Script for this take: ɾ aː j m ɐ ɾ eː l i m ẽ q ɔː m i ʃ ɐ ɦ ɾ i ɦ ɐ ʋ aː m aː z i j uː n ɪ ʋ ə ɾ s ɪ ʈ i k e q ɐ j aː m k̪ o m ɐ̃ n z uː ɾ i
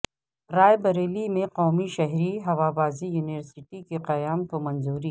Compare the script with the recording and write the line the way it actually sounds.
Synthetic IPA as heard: ɾ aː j b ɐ ɾ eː l i m ẽ q ɔː m i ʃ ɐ ɦ ɾ i ɦ ɐ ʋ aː b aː z i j uː n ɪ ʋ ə ɾ s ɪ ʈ i k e q ɐ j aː m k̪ o m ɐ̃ n z uː ɾ i